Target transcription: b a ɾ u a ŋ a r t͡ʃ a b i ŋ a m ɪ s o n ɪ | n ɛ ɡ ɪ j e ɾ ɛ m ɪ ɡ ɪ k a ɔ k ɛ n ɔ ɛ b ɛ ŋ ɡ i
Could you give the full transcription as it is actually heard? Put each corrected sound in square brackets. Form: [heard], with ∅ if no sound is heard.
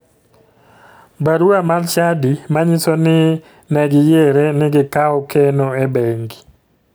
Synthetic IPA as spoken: b a ɾ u a [m] a [l] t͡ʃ a [d] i [m] a [ɲ] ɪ s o n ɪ | n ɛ ɡ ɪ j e ɾ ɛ [n] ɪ ɡ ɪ k a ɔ k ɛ n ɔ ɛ b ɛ ŋ ɡ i